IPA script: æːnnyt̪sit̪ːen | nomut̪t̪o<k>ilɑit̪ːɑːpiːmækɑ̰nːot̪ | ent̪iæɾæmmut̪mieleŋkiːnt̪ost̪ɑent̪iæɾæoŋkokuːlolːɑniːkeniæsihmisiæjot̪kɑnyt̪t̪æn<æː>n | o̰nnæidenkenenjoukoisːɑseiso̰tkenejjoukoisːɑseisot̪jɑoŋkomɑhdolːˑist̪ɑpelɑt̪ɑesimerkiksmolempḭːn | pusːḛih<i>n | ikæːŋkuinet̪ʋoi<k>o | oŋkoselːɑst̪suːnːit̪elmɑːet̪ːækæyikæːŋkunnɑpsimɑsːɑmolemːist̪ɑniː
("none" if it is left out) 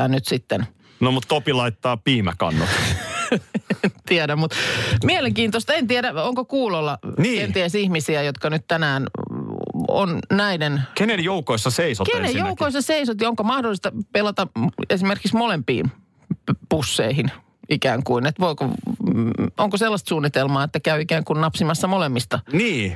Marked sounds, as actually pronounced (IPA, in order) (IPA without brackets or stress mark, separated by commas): p, æː, i, k